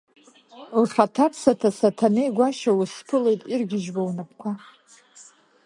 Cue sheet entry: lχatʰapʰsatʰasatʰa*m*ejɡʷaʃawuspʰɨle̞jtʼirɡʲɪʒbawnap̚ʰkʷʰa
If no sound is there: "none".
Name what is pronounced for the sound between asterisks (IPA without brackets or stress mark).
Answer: n